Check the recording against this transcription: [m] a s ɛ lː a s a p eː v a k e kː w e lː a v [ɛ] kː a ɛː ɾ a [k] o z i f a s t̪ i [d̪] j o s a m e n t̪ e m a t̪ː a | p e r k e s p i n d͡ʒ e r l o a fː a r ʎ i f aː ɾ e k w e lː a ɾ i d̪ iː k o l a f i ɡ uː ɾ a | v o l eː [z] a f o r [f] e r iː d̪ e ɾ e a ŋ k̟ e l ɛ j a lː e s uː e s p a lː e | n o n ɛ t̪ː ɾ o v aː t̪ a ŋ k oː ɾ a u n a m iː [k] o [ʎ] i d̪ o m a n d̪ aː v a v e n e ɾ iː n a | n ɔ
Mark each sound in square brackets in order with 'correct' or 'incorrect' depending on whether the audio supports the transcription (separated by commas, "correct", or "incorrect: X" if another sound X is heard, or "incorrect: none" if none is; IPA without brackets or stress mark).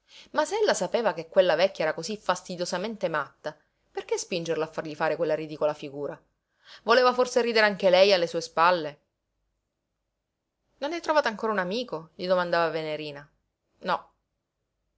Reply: correct, correct, correct, correct, incorrect: v, incorrect: s, correct, correct